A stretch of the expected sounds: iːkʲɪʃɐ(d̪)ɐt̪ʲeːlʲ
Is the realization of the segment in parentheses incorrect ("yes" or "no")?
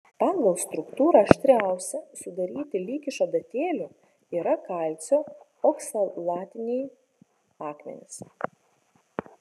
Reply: no